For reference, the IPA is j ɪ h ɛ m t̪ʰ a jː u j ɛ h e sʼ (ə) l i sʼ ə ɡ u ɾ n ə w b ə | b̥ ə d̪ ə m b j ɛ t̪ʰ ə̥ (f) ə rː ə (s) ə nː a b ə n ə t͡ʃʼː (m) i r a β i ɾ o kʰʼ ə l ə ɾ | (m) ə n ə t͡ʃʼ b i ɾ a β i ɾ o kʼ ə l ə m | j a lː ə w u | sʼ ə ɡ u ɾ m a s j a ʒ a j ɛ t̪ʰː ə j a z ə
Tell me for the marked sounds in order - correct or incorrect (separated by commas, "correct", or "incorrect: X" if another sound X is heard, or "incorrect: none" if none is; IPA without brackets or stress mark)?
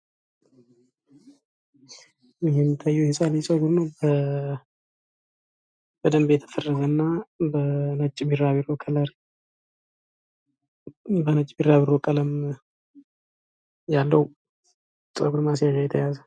incorrect: a, correct, incorrect: z, incorrect: b, incorrect: b